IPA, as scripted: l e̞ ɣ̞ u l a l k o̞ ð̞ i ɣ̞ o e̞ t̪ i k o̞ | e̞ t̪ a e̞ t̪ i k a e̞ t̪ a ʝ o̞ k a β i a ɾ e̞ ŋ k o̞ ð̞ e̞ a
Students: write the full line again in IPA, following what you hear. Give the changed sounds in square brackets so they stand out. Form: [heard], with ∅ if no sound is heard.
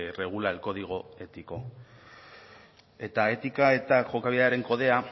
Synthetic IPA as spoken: [r] e̞ ɣ̞ u l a l k o̞ ð̞ i ɣ̞ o e̞ t̪ i k o̞ | e̞ t̪ a e̞ t̪ i k a e̞ t̪ a ʝ o̞ k a β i a ɾ e̞ ŋ k o̞ ð̞ e̞ a

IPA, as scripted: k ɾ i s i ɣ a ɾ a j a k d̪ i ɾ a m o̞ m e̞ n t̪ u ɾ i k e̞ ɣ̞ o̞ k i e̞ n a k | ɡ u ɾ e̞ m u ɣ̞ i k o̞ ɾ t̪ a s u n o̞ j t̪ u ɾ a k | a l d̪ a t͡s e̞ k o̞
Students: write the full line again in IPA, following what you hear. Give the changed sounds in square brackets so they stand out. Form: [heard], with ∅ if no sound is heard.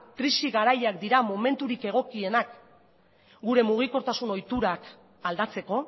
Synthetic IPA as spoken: k ɾ i s i ɣ a ɾ a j a k d̪ i ɾ a m o̞ m e̞ n t̪ u ɾ i k e̞ ɣ̞ o̞ k i e̞ n a k | ɡ u ɾ e̞ m u ɣ̞ i k o̞ ɾ t̪ a s u n o̞ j t̪ u ɾ a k | a l d̪ a t͡s e̞ k o̞

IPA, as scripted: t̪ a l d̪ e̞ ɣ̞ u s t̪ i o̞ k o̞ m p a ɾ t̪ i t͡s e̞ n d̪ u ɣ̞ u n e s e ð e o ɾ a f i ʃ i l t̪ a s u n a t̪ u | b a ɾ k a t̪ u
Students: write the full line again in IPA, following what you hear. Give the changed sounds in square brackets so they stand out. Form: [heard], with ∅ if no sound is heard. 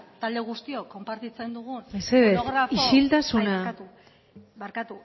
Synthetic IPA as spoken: t̪ a l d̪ e̞ ɣ̞ u s t̪ i o̞ k o̞ m p a ɾ t̪ i t͡s e̞ n d̪ u ɣ̞ u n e s e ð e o ɾ a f i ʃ i l t̪ a s u n a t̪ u | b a ɾ k a t̪ u

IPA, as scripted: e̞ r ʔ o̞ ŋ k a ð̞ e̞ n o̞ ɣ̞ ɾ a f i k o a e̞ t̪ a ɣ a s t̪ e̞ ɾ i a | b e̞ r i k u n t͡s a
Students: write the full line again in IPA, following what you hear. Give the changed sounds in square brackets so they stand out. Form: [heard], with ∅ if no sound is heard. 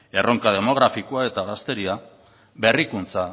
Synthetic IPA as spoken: e̞ r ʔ o̞ ŋ k a ð̞ e̞ [m] o̞ ɣ̞ ɾ a f i k o a e̞ t̪ a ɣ a s t̪ e̞ ɾ i a | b e̞ r i k u n t͡s a

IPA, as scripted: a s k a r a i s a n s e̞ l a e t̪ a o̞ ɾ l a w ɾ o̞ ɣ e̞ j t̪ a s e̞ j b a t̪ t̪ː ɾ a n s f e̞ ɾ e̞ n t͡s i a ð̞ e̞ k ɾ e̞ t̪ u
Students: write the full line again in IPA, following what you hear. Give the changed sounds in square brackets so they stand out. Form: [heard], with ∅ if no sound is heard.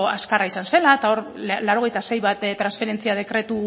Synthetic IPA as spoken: a s k a r a i s a n s e̞ l a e t̪ a o̞ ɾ l a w ɾ o̞ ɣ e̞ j t̪ a s e̞ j [β] a t̪ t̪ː ɾ a n s f e̞ ɾ e̞ n t͡s i a ð̞ e̞ k ɾ e̞ t̪ u

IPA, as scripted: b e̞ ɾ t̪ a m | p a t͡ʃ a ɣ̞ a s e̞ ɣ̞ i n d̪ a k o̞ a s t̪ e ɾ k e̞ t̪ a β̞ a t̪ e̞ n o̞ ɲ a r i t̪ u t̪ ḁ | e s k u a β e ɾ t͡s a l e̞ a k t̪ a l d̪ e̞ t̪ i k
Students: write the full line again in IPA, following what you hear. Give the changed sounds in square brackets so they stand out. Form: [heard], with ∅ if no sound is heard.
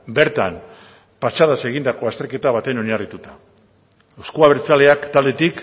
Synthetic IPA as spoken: b e̞ ɾ t̪ a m | p a t͡ʃ a [ð̞] a s e̞ ɣ̞ i n d̪ a k o̞ a s t̪ e ɾ k e̞ t̪ a β̞ a t̪ e̞ n o̞ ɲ a r i t̪ u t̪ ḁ | e s k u a β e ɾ t͡s a l e̞ a k t̪ a l d̪ e̞ t̪ i k

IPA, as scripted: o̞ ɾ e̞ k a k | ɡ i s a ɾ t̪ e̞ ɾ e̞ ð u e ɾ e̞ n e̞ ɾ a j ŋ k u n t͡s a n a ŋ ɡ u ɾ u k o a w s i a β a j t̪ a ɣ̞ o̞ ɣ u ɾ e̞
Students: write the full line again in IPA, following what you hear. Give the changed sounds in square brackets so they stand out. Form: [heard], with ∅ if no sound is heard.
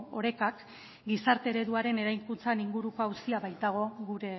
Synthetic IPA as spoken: o̞ ɾ e̞ k a k | ɡ i s a ɾ t̪ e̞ ɾ e̞ ð u [a] ɾ e̞ n e̞ ɾ a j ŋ k u n t͡s a n [i] ŋ ɡ u ɾ u k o a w s i a β a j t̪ a ɣ̞ o̞ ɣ u ɾ e̞

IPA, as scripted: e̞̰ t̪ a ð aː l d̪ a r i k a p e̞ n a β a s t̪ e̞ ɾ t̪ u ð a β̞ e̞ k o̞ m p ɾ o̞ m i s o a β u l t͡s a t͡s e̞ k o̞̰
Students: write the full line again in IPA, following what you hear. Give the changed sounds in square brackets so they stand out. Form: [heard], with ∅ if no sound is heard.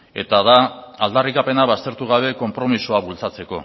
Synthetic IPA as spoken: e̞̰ t̪ a ð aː l d̪ a r i k a p e̞ n a β a s t̪ e̞ ɾ t̪ u [ɣ] a β̞ e̞ k o̞ m p ɾ o̞ m i s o a β u l t͡s a t͡s e̞ k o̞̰

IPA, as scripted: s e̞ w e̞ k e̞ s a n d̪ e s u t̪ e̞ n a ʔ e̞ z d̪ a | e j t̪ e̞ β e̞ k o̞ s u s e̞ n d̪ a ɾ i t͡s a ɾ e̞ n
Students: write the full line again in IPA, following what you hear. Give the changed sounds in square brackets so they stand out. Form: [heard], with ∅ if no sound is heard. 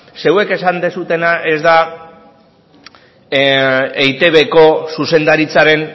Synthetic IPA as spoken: s e̞ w e̞ k e̞ s a n d̪ e s u t̪ e̞ n a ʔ e̞ z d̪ a | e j t̪ e̞ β e̞ k o̞ s u s e̞ n d̪ a ɾ i t͡s a ɾ e̞ n

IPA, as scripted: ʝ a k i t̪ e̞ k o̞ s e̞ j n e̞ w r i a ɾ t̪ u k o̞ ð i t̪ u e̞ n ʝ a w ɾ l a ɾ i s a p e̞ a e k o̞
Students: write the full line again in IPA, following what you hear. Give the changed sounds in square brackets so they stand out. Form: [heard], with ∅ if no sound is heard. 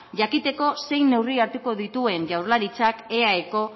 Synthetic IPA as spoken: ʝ a k i t̪ e̞ k o̞ s e̞ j n e̞ w r i a ɾ t̪ u k o̞ ð i t̪ u e̞ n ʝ a w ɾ l a ɾ i [t͡s] a [k] e̞ a e k o̞

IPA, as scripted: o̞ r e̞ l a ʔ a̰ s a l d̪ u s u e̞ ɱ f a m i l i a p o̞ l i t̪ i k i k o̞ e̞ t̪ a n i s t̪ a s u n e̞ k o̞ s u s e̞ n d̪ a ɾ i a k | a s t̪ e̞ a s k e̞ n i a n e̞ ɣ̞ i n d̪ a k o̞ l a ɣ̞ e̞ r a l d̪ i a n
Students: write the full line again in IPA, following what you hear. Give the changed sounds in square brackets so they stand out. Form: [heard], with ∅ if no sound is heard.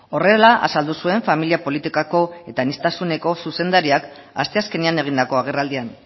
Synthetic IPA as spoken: o̞ r e̞ l a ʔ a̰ s a l d̪ u s u e̞ ɱ f a m i l i a p o̞ l i t̪ i k [a] k o̞ e̞ t̪ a n i s t̪ a s u n e̞ k o̞ s u s e̞ n d̪ a ɾ i a k | a s t̪ e̞ a s k e̞ n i a n e̞ ɣ̞ i n d̪ a k o̞ [∅] a ɣ̞ e̞ r a l d̪ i a n

